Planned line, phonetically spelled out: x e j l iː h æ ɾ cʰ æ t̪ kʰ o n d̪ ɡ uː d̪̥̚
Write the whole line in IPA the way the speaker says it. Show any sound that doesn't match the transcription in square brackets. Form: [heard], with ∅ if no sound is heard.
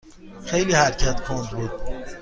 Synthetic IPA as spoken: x e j l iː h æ ɾ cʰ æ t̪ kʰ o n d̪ [b] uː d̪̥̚